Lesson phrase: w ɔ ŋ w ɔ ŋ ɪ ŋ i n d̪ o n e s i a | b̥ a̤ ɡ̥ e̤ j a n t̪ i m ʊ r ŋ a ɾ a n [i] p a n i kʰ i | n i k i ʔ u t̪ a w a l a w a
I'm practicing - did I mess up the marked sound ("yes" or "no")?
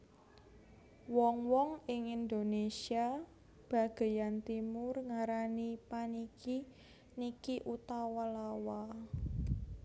no